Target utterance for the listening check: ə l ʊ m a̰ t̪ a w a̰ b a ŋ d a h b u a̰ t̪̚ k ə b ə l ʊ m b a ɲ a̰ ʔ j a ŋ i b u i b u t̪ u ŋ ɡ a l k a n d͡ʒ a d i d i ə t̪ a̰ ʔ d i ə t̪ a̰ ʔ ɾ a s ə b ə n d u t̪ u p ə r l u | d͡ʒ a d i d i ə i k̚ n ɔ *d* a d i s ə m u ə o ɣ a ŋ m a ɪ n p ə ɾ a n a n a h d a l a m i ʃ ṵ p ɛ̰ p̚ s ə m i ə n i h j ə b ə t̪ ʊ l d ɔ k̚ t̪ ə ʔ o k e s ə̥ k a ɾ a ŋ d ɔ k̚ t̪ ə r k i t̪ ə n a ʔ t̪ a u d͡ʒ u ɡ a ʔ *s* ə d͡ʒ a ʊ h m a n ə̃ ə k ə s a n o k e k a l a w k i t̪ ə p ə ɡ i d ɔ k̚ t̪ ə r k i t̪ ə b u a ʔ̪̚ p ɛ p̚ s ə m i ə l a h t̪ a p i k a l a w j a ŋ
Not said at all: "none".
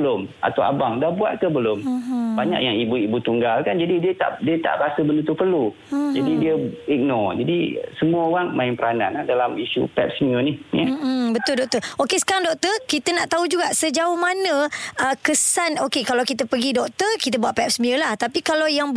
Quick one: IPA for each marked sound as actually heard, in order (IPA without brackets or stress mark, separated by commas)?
d͡ʒ, s